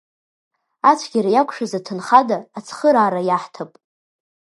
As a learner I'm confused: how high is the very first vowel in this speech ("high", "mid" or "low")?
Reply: low